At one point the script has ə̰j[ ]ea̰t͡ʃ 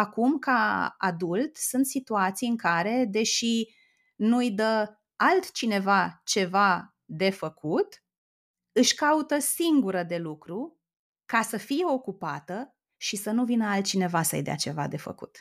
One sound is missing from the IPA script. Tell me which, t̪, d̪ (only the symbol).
d̪